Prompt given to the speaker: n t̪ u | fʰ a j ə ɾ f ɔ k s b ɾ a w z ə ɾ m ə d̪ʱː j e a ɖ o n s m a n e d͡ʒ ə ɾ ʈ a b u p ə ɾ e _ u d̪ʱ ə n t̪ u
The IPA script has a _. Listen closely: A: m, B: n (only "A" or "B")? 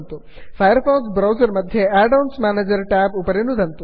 B